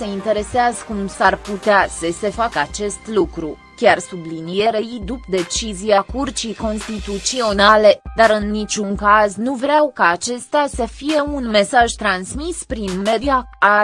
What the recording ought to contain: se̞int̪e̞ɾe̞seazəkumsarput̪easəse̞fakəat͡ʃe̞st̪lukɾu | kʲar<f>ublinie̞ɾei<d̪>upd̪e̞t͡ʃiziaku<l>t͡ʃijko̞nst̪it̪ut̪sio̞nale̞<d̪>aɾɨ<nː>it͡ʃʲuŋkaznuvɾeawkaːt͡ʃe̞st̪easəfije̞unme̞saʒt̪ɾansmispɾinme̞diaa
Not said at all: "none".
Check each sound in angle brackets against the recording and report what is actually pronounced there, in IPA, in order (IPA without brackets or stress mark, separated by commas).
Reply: s, d̪, r, d̪, nː